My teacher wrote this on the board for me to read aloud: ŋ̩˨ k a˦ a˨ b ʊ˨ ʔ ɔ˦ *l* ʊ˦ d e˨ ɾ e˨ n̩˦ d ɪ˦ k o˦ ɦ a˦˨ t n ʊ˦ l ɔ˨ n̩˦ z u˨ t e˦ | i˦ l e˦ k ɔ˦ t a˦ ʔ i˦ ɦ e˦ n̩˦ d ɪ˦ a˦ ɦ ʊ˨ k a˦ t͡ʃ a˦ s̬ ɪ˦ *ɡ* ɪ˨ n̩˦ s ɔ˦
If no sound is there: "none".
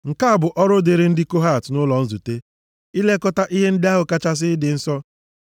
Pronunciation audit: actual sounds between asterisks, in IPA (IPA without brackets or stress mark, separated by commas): ɾ, d